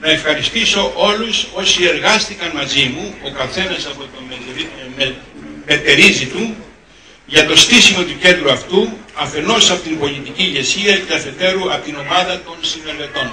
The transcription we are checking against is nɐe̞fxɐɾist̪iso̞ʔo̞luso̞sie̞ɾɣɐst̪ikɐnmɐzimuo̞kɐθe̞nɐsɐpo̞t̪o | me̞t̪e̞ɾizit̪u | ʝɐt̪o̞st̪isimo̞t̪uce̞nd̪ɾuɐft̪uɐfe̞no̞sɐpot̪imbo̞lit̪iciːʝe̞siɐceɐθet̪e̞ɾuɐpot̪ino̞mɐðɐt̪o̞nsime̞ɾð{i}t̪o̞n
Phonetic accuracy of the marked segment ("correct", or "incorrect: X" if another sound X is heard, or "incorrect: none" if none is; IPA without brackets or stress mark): incorrect: e